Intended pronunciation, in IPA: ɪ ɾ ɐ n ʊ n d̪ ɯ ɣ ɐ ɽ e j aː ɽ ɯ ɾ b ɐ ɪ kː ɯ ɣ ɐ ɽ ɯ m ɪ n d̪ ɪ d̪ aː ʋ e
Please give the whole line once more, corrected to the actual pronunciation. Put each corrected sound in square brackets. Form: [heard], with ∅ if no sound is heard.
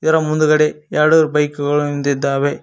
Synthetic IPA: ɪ ɾ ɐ [m] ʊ n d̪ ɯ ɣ ɐ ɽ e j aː ɽ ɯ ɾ b ɐ ɪ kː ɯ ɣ ɐ [ɭ] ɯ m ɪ n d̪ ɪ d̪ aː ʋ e

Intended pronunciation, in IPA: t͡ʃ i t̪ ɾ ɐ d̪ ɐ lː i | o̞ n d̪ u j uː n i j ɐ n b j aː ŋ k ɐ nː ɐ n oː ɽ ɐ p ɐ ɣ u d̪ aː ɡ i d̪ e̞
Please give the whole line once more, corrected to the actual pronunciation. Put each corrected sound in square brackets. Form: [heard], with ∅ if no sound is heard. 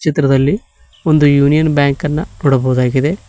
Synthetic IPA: t͡ʃ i t̪ ɾ ɐ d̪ ɐ lː i | o̞ n d̪ u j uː n i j ɐ n b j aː ŋ k ɐ nː ɐ n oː ɽ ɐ [b] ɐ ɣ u d̪ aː ɡ i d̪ e̞

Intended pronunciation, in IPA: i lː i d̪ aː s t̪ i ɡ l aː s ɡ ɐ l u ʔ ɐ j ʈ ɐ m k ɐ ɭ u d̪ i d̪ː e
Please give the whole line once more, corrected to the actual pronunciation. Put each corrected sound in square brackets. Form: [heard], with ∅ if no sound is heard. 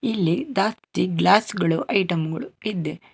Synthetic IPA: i lː i d̪ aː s t̪ i ɡ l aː s ɡ ɐ [ɭ] u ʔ ɐ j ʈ ɐ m [ɡ] ɐ ɭ u [∅] i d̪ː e

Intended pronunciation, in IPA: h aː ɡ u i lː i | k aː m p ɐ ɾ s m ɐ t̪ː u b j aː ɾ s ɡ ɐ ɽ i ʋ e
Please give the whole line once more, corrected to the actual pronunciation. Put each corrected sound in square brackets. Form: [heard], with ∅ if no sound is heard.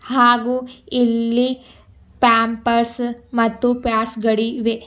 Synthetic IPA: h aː ɡ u i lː i | [p] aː m p ɐ ɾ s m ɐ t̪ː u [p] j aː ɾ s ɡ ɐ ɽ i ʋ e

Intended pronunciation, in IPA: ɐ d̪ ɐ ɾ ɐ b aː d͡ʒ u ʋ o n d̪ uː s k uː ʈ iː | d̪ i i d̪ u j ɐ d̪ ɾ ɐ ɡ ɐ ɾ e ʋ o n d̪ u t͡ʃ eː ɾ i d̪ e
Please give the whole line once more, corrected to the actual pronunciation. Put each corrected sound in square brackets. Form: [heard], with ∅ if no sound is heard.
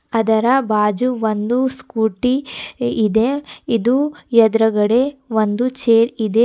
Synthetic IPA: ɐ d̪ ɐ ɾ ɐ b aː d͡ʒ u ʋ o n d̪ [u] s k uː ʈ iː | d̪ [e] i d̪ u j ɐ d̪ ɾ ɐ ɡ ɐ [ɽ] e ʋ o n d̪ u t͡ʃ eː ɾ i d̪ e

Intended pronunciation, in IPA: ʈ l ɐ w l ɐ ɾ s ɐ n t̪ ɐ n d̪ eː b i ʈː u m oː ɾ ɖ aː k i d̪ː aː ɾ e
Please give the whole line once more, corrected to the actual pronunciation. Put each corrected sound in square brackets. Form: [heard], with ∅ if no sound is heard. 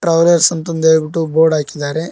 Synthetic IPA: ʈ [ɾ] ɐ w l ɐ ɾ s ɐ n t̪ ɐ n d̪ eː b i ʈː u [b] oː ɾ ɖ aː k i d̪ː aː ɾ e

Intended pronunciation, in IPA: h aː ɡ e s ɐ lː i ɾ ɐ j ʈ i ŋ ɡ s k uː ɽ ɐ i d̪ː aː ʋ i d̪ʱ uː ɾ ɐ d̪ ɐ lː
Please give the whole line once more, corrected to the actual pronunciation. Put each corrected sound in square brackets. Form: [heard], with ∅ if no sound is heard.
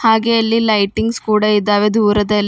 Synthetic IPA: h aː ɡ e [∅] ɐ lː i [l] ɐ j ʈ i ŋ ɡ s k uː ɽ ɐ i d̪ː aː ʋ [e] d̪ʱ uː ɾ ɐ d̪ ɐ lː

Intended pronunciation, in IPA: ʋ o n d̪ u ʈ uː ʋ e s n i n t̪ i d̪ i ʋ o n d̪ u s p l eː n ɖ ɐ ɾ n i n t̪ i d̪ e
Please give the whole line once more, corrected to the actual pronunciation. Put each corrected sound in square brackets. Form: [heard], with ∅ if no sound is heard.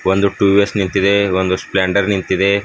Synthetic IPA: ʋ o n d̪ u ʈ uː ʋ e s n i n t̪ i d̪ [e] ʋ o n d̪ u s p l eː [ɳ] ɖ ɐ ɾ n i n t̪ i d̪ e

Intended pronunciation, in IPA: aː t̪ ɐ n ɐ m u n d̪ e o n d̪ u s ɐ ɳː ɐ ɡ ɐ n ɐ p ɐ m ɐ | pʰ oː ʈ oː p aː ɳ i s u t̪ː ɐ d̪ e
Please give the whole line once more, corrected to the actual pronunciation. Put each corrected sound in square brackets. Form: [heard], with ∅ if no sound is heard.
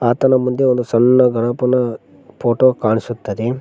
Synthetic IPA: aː t̪ ɐ n ɐ m u n d̪ e o n d̪ u s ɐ [nː] ɐ ɡ ɐ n ɐ p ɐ [n] ɐ | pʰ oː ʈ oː [k] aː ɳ i s u t̪ː ɐ d̪ e

